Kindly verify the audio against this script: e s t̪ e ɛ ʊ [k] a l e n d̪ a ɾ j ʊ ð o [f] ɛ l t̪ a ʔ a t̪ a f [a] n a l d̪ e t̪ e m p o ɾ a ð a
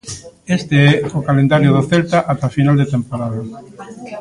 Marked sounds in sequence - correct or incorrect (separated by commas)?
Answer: correct, incorrect, incorrect